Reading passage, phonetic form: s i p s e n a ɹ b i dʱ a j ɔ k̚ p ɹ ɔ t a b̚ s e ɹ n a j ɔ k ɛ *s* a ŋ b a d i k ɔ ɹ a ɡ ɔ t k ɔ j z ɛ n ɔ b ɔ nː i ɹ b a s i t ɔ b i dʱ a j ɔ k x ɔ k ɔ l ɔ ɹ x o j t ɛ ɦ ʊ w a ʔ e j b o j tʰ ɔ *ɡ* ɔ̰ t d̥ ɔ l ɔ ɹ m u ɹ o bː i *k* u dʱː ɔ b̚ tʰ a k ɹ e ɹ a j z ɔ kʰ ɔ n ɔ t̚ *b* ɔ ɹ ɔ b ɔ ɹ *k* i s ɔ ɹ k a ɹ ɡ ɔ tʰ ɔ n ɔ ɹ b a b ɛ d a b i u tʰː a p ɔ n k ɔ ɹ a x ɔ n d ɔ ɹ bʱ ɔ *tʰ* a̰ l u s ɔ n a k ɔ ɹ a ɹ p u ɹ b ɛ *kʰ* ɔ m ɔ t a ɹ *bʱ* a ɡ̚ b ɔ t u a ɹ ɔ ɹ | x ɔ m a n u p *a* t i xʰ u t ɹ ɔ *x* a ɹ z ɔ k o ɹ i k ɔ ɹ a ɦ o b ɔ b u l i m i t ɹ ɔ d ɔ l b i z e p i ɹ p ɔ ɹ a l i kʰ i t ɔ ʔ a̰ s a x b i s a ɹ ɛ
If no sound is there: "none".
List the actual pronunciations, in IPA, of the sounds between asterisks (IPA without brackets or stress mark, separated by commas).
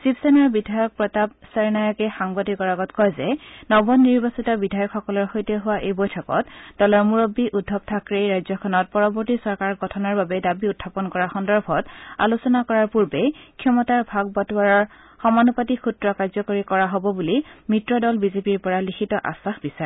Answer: x, k, ʔ, p, t, t, kʰ, bʱ, a, k